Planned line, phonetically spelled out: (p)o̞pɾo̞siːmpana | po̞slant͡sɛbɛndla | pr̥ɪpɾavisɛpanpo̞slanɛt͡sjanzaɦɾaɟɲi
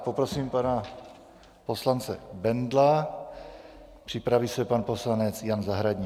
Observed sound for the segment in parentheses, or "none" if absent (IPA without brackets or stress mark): p